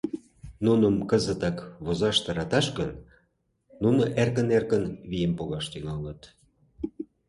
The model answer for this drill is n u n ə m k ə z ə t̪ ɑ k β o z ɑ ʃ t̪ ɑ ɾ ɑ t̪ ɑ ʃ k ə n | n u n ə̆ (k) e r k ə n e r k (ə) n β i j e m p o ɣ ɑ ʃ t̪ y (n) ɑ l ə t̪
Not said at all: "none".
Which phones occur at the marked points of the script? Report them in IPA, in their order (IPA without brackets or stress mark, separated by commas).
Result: ʔ, ə, ŋ